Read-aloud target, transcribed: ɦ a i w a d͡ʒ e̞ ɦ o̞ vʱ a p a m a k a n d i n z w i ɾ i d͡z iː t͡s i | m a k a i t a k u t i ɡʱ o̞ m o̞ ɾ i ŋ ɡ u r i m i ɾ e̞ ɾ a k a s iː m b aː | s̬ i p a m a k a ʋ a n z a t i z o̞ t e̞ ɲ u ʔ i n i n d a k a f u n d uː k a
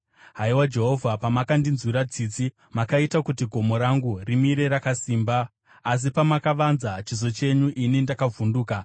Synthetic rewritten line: ɦ a i w a d͡ʒ e̞ ɦ o̞ vʱ a p a m a k a n d i n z w i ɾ a d͡z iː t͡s i | m a k a i t a k u t i ɡʱ o̞ m o̞ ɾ a ŋ ɡ u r i m i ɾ e̞ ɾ a k a s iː m b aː | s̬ i p a m a k a ʋ a n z a t͡ʃ i z o̞ t͡ʃ e̞ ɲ u ʔ i n i n d a k a v u n d uː k a